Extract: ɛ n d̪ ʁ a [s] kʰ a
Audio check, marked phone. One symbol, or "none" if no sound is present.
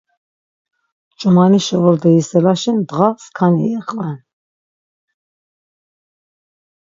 s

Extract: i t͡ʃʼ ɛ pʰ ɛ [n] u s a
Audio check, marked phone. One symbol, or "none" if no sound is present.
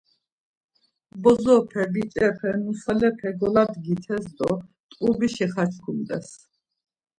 n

